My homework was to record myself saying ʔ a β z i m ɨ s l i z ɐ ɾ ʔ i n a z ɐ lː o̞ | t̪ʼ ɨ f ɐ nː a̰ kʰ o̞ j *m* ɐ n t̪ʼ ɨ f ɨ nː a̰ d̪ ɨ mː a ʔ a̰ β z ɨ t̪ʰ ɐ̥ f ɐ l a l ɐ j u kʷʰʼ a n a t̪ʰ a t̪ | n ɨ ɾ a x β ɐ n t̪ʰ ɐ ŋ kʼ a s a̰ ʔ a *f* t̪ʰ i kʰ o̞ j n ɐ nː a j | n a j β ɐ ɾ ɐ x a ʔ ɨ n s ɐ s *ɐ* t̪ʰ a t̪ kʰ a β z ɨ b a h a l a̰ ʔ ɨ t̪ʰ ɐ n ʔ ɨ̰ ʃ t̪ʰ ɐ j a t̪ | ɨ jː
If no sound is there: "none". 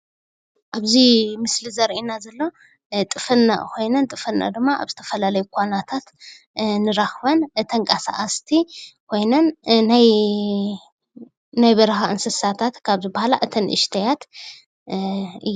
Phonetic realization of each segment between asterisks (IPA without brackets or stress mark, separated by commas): n, s, a